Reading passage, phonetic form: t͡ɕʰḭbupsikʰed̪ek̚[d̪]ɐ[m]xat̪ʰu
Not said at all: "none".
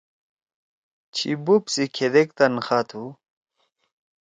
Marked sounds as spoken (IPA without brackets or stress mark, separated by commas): t̪, n